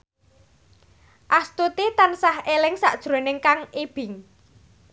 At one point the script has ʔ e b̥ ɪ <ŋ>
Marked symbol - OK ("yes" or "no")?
yes